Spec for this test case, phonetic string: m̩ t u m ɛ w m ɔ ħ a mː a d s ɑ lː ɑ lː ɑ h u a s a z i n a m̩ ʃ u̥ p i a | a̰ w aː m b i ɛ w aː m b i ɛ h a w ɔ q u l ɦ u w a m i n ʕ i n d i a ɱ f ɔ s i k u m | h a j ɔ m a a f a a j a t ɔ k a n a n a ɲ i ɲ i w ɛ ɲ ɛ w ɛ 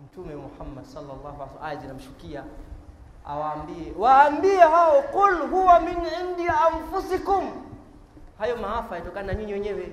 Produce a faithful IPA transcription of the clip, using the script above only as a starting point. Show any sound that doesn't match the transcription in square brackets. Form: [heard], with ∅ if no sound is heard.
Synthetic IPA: m̩ t u m ɛ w m [u] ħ a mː a d s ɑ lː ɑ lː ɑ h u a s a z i n a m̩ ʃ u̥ [k] i a | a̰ w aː m b i ɛ w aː m b i ɛ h a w ɔ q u l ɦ u w a m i n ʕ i n d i a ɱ f [u] s i k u m | h a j ɔ m a a f a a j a t ɔ k a n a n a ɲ i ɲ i w ɛ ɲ ɛ w ɛ